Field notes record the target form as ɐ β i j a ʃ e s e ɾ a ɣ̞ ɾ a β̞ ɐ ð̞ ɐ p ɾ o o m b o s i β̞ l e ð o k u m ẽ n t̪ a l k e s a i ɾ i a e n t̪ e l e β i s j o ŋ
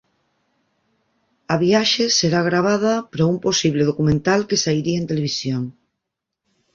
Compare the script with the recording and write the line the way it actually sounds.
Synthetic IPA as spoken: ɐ β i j a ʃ e s e ɾ a ɣ̞ ɾ a β̞ a ð̞ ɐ p ɾ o u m p o s i β̞ l e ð o k u m ẽ n t̪ a l k e s a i ɾ i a e n t̪ e l e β i s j o ŋ